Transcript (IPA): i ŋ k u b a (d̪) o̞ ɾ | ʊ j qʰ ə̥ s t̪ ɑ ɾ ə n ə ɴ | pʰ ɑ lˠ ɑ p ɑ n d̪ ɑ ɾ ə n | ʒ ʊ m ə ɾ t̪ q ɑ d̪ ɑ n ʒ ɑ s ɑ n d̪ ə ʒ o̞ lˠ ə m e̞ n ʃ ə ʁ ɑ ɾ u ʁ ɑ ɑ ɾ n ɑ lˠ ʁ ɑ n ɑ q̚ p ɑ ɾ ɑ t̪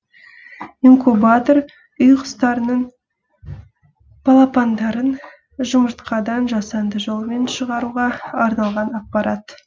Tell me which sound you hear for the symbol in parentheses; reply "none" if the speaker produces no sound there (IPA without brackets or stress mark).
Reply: t̪